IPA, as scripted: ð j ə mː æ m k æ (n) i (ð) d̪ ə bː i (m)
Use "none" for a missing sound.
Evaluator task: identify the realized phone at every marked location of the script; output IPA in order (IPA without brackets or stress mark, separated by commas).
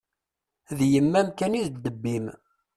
n, ð, m